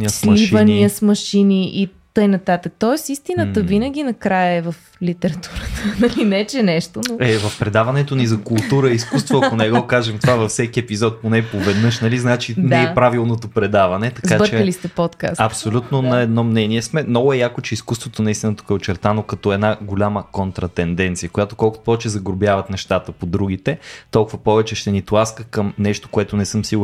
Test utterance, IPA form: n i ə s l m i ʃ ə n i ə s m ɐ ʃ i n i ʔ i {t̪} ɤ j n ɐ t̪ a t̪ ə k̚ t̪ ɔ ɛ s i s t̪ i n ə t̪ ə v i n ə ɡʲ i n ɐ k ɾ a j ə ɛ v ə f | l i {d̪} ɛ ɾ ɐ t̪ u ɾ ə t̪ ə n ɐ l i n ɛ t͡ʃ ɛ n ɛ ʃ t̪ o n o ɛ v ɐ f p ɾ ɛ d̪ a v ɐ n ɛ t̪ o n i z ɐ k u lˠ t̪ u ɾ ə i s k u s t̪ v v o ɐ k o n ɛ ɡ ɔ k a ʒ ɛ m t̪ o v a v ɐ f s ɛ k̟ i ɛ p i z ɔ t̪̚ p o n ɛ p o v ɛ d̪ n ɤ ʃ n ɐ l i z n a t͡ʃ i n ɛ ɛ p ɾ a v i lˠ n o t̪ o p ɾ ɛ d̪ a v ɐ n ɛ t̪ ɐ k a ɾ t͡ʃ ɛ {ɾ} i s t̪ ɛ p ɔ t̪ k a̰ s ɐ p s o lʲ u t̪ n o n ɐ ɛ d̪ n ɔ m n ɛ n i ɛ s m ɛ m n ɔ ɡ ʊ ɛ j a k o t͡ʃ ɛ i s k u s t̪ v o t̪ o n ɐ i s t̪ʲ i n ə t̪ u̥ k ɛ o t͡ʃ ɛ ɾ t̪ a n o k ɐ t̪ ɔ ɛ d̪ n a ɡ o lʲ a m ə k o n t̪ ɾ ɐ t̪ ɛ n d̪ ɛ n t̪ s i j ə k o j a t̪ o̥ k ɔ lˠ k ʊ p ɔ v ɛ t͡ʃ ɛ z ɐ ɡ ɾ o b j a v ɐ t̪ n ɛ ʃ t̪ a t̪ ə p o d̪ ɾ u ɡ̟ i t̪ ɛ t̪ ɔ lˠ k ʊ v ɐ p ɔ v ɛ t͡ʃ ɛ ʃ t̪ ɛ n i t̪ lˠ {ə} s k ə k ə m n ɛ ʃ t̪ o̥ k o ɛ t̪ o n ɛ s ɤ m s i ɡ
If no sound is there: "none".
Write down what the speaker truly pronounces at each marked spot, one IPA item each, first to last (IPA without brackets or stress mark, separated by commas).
t̪, t̪, l, a